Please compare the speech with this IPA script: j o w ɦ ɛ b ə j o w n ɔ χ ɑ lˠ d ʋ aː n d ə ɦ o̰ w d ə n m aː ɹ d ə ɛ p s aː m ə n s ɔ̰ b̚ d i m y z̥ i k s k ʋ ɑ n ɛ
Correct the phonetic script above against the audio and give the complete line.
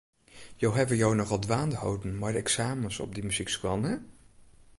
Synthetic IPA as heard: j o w ɦ ɛ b ə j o w n ɔ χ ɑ lˠ d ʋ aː n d ə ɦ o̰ w d ə n m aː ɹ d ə ɛ k s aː m ə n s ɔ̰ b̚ d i m y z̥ i k s k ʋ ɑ n ɛ